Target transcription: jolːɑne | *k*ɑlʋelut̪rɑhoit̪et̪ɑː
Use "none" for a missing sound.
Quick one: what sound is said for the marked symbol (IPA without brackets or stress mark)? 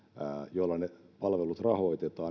p